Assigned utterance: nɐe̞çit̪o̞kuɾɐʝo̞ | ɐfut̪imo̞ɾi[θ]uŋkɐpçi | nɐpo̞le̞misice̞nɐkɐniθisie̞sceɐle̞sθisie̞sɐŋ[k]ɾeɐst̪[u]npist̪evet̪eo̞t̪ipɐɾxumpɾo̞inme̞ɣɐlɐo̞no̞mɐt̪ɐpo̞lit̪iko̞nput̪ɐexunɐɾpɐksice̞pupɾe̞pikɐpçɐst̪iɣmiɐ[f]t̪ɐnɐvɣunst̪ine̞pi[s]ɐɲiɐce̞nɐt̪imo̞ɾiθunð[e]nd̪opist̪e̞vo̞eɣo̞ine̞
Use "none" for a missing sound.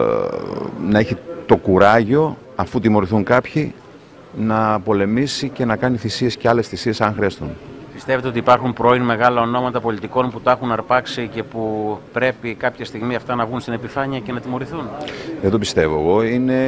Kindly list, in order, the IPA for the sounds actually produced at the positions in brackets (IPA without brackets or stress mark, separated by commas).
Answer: θ, x, u, f, f, e